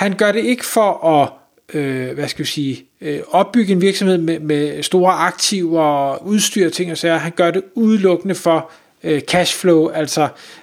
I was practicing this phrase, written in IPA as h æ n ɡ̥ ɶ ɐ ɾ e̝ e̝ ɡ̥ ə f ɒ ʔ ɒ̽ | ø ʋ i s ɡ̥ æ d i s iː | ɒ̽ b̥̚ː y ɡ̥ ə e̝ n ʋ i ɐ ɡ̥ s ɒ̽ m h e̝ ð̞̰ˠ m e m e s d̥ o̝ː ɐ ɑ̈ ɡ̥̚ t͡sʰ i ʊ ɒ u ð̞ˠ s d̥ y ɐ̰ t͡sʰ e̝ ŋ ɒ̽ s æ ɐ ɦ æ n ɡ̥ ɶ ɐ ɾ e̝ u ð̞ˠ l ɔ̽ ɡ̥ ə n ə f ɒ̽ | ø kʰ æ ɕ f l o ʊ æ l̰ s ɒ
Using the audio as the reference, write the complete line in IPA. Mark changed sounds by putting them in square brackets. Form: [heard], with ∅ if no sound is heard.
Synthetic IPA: h æ n ɡ̥ ɶ ɐ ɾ e̝ e̝ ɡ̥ ə f ɒ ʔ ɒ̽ | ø ʋ [æ] s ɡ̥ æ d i s iː | ɒ̽ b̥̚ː y ɡ̥ ə e̝ n ʋ i ɐ ɡ̥ s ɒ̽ m h e̝ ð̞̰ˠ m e m e s d̥ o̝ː ɐ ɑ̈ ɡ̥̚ t͡sʰ i ʊ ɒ u ð̞ˠ s d̥ y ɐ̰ t͡sʰ e̝ ŋ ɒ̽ s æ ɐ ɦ æ n ɡ̥ ɶ ɐ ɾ e̝ u ð̞ˠ l ɔ̽ ɡ̥ ə n ə f ɒ̽ | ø kʰ æ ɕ f l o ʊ æ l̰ s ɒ